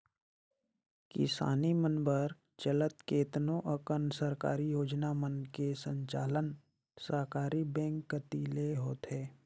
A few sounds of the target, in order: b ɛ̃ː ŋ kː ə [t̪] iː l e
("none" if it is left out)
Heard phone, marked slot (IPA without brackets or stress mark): t̪